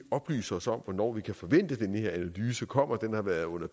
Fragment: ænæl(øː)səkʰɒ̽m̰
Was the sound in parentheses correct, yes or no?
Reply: no